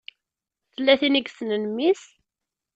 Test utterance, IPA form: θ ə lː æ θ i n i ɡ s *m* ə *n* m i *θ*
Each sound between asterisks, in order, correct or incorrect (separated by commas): incorrect, correct, incorrect